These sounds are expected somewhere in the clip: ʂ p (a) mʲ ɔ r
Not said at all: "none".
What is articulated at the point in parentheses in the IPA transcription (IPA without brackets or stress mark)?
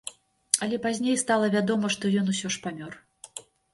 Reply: a